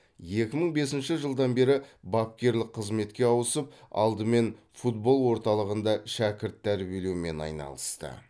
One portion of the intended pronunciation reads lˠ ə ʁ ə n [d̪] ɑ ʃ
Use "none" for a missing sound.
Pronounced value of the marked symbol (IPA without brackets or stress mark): d̪